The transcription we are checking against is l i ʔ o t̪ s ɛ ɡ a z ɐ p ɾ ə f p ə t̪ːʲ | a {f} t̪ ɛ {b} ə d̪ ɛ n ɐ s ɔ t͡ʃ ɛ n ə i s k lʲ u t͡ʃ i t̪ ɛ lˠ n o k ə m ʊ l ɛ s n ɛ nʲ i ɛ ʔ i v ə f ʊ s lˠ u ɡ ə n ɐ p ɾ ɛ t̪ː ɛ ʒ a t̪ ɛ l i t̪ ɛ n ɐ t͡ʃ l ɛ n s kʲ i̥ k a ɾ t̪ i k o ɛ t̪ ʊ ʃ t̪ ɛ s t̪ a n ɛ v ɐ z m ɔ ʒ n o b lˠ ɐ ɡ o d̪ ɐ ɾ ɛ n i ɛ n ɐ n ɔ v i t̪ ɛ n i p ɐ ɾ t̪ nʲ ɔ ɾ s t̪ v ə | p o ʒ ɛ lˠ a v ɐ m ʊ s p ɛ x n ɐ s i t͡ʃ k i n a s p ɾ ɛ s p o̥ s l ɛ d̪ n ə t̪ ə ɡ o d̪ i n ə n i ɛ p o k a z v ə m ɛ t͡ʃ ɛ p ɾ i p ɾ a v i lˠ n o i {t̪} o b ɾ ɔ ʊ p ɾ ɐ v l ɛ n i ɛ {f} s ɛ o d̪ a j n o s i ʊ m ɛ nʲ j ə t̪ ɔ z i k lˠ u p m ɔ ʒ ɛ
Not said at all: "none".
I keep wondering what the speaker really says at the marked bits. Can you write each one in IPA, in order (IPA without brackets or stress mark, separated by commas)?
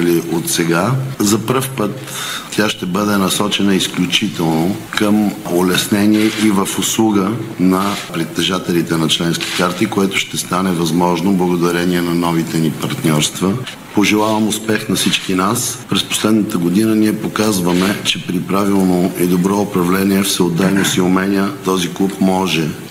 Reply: ʃ, b, d̪, f